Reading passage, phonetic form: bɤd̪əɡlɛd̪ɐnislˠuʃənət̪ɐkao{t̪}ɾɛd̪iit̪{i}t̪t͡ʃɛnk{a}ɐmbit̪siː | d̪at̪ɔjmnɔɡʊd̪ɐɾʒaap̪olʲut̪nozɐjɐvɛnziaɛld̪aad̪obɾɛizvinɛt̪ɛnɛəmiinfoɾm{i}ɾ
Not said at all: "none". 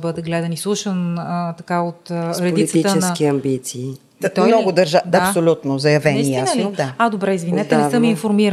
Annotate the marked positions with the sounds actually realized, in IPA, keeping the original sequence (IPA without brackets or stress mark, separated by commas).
t̪, i, i, i